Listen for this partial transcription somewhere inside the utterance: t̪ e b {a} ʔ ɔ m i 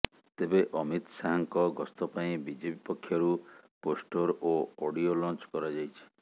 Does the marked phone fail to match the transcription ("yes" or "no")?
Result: yes